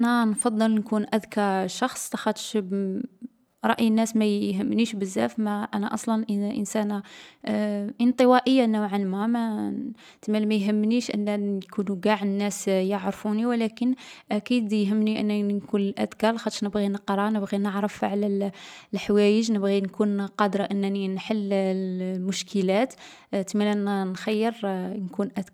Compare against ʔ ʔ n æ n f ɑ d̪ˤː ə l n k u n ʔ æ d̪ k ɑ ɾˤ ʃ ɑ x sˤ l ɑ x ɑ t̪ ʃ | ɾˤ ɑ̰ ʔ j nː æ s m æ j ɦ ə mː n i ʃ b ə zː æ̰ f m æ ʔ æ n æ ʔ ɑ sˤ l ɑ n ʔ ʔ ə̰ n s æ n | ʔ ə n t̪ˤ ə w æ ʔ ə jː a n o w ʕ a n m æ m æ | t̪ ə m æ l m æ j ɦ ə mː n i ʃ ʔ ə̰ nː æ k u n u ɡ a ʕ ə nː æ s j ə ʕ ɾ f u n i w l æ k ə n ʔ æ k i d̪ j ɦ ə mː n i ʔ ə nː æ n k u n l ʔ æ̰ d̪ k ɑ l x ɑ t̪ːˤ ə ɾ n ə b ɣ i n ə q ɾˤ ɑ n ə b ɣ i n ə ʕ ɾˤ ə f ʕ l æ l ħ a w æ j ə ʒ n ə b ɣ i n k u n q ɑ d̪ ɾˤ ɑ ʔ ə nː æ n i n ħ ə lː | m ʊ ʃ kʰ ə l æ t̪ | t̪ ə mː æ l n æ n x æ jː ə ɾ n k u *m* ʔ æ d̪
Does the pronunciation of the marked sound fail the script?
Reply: yes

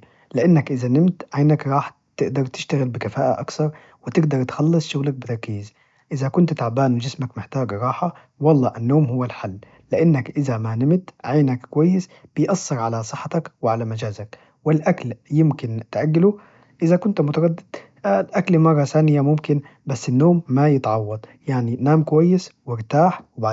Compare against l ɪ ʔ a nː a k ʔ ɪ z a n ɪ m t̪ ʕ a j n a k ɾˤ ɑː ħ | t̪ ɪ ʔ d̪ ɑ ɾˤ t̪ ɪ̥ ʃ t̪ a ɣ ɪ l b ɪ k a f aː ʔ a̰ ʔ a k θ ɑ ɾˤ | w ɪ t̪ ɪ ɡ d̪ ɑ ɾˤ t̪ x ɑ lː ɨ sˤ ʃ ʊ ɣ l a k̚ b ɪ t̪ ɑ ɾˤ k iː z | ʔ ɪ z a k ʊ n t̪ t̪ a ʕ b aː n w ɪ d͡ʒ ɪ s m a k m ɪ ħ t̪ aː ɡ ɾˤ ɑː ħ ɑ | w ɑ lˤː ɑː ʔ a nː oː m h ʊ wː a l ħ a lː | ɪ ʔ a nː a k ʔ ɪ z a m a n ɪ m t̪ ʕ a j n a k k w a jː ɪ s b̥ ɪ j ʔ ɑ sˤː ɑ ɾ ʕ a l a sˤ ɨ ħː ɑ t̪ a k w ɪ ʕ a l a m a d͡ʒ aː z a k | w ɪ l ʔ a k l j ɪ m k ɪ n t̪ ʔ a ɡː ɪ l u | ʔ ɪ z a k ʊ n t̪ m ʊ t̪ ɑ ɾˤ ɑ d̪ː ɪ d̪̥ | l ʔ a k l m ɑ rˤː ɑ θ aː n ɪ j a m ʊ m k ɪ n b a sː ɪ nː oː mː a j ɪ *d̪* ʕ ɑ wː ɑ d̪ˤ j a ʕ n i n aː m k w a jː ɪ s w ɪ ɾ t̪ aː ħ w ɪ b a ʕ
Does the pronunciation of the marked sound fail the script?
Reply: yes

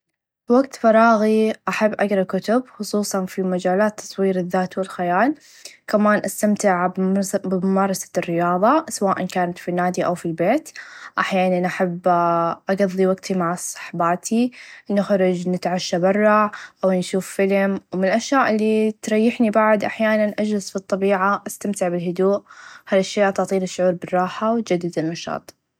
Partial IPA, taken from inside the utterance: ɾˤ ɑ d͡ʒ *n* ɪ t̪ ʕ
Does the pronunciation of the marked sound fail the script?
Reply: no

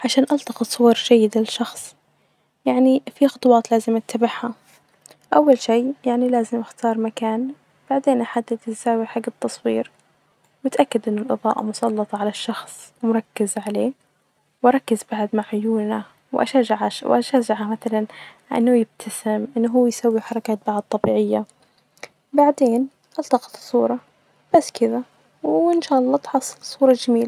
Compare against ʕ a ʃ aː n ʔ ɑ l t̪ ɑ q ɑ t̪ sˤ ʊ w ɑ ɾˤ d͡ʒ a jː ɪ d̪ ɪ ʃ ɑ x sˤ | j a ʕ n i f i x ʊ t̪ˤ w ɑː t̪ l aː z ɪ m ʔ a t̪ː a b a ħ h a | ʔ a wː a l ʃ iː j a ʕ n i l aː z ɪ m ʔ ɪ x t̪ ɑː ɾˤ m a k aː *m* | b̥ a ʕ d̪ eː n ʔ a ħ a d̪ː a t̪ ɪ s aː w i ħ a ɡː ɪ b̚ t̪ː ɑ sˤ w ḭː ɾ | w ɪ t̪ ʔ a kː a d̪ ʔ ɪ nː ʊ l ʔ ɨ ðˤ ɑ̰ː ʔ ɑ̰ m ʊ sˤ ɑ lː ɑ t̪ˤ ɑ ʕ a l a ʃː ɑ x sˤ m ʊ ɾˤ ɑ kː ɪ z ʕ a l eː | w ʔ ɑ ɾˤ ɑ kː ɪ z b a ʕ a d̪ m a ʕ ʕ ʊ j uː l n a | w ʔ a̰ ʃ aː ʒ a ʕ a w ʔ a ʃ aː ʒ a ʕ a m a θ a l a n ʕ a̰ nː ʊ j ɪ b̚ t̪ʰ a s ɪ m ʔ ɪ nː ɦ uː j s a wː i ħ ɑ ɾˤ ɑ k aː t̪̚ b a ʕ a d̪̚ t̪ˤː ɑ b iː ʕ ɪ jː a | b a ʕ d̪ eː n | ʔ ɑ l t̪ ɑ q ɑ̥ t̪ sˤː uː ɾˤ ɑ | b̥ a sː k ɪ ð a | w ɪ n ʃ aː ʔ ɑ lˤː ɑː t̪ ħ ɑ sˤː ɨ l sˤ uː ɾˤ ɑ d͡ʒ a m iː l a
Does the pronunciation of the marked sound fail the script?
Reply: yes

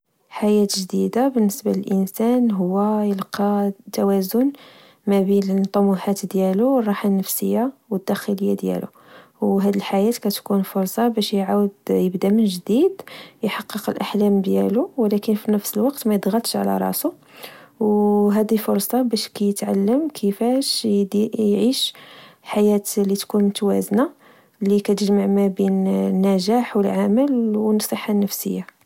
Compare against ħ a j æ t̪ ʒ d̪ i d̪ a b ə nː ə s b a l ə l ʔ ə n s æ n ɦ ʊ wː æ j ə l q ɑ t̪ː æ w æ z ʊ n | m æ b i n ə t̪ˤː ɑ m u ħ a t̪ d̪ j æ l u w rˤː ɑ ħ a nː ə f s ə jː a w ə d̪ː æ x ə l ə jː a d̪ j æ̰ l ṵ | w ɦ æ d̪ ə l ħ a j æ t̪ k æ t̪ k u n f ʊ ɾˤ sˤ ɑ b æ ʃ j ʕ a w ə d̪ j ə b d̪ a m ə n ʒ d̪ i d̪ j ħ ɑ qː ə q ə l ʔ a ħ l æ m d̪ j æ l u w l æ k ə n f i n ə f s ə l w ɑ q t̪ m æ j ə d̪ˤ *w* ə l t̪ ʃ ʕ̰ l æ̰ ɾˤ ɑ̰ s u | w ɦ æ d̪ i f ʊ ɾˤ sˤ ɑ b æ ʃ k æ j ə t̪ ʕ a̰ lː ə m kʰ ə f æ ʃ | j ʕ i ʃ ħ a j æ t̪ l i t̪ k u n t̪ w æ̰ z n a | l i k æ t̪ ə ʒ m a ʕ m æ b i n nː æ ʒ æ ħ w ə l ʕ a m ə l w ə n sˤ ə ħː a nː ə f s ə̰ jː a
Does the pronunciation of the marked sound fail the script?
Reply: yes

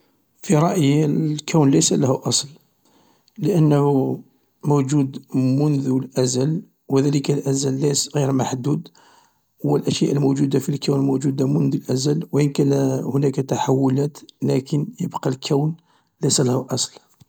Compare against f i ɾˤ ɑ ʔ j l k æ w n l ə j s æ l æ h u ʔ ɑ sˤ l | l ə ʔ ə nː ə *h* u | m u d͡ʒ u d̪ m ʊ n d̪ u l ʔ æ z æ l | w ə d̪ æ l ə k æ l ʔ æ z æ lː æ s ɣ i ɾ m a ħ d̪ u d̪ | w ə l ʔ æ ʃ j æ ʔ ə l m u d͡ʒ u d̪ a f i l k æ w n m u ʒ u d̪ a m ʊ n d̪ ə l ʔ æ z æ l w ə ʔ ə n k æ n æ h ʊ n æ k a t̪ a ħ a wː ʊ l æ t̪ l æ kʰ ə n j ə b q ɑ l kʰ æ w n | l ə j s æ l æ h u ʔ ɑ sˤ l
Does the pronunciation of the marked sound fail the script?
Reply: no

